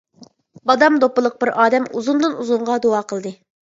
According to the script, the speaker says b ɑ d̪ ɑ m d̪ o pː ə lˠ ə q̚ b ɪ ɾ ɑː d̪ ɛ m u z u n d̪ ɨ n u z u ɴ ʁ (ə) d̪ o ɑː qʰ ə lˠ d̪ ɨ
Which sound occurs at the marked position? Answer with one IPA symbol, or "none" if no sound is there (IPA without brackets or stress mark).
ɑ